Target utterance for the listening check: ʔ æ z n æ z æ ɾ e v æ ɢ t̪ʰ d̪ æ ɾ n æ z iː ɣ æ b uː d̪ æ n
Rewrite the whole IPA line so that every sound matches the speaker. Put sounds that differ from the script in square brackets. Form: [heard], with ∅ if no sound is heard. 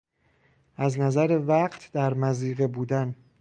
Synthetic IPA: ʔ æ z n æ z æ ɾ e v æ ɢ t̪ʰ d̪ æ ɾ [m] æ z iː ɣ [e] b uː d̪ æ n